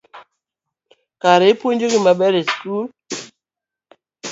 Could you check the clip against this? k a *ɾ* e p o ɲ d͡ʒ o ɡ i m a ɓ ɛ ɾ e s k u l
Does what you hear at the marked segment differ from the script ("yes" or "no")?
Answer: no